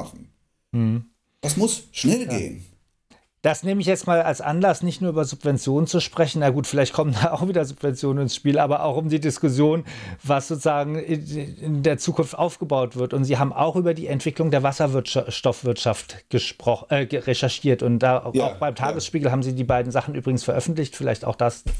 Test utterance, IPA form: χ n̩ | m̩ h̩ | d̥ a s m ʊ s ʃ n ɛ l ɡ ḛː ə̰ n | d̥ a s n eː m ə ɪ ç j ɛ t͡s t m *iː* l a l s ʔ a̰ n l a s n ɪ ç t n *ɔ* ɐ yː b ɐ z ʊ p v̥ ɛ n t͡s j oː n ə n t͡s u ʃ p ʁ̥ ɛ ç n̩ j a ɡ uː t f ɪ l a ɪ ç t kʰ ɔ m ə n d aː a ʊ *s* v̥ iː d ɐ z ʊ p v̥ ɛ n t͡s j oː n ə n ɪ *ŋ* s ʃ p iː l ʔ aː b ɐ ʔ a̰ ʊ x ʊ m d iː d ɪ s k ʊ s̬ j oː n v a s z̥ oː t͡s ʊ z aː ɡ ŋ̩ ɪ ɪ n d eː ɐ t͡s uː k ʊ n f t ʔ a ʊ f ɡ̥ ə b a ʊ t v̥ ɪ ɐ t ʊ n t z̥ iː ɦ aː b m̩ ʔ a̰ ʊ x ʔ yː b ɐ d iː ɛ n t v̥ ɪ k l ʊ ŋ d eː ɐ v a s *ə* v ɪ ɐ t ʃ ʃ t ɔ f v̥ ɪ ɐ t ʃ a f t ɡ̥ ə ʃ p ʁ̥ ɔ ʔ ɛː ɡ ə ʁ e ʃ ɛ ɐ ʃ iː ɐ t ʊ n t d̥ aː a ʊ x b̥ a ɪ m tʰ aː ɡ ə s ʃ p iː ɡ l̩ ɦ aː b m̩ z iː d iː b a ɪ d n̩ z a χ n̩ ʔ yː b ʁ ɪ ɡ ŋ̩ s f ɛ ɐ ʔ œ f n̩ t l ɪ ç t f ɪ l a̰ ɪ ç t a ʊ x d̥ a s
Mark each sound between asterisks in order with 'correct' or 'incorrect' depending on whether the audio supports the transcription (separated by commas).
incorrect, incorrect, incorrect, incorrect, incorrect